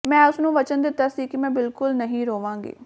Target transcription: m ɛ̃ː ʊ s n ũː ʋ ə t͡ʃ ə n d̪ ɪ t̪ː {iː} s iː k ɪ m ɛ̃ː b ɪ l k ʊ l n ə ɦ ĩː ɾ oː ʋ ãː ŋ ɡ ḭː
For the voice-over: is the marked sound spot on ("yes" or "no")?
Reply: no